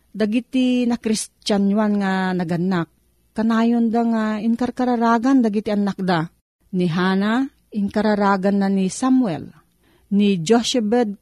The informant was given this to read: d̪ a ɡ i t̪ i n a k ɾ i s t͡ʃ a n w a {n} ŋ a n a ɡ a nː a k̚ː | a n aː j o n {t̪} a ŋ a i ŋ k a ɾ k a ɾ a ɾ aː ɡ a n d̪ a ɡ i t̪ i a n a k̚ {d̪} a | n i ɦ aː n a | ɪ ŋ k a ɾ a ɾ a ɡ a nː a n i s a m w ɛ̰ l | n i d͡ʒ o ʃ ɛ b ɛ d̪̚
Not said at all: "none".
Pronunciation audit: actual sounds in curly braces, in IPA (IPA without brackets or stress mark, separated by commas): n, d̪, d̪